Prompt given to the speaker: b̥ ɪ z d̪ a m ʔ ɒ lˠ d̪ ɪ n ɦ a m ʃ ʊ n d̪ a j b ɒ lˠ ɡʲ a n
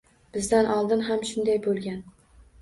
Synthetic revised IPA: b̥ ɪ z d̪ a n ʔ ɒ lˠ d̪ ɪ n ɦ a m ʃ ʊ n d̪ a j b o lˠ ɡʲ a n